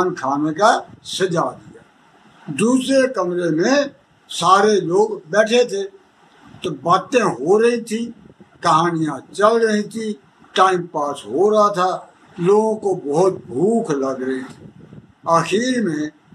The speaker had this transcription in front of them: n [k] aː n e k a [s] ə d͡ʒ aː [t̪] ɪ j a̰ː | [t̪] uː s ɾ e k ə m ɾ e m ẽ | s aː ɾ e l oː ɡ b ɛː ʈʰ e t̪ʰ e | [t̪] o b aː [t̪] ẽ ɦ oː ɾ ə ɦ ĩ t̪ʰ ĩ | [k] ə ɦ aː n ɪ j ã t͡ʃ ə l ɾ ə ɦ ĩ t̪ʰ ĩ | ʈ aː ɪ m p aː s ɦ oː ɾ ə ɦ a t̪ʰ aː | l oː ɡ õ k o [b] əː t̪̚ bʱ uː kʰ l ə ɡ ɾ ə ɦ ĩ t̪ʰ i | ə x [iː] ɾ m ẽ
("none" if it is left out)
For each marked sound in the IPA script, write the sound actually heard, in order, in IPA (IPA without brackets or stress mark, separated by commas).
kʰ, s, d̪, d̪, t̪, t̪, k, b, iː